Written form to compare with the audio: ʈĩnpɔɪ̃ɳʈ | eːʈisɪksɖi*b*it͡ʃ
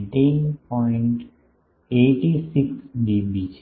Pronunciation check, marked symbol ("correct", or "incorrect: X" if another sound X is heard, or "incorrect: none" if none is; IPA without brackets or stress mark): correct